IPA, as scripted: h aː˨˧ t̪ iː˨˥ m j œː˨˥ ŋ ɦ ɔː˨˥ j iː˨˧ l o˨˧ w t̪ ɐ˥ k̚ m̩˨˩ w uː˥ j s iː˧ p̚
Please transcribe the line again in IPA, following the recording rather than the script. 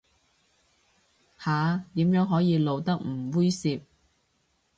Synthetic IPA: h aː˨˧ t̪ iː˨˥ m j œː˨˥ ŋ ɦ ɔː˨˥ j iː˨˧ l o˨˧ w t̪ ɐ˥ k̚ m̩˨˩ w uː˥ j s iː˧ p̚